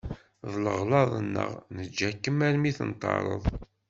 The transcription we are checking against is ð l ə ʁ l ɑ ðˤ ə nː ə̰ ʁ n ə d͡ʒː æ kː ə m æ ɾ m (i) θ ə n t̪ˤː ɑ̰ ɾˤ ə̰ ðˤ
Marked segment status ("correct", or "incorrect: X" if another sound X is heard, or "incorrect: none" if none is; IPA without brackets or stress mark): correct